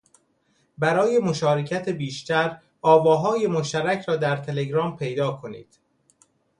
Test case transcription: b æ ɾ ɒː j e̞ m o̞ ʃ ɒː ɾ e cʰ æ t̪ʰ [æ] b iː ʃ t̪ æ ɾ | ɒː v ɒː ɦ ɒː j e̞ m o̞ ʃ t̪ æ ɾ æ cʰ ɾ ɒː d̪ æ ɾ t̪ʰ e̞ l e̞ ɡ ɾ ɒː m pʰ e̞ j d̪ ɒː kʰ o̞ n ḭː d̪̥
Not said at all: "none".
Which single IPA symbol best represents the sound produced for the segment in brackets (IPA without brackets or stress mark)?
e